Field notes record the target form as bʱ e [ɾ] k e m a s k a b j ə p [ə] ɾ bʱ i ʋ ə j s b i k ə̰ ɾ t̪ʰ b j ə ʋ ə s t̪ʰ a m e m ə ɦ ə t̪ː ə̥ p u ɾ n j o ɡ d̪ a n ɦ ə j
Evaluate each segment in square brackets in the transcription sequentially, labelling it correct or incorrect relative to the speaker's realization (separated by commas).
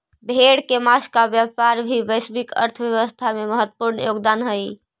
incorrect, incorrect